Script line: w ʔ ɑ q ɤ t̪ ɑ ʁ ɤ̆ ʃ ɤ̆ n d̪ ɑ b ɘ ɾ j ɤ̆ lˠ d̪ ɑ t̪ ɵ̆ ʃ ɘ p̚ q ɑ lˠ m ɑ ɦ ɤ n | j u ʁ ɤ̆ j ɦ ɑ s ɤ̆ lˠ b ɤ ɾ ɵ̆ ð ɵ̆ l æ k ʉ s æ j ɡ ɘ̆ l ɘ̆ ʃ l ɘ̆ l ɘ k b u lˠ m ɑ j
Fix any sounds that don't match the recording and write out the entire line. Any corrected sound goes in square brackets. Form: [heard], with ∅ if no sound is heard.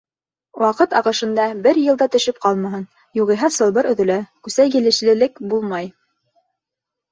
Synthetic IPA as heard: w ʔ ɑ q ɤ t̪ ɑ ʁ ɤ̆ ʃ ɤ̆ n d̪ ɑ b ɘ ɾ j ɤ̆ lˠ d̪ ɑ t̪ ɵ̆ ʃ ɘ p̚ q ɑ lˠ m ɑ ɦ ɤ n | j u ʁ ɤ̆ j ɦ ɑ s ɤ̆ lˠ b ɤ ɾ ɵ̆ ð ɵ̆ l æ k ʉ s æ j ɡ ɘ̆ l ɘ̆ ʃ l ɘ̆ l ɘ k b u lˠ m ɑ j